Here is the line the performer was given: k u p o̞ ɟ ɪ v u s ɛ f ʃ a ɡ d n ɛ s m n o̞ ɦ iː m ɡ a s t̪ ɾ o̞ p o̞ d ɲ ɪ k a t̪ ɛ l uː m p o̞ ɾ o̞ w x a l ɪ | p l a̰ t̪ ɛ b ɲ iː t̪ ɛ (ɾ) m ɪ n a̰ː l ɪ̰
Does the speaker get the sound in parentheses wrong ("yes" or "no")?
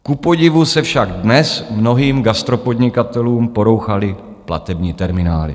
no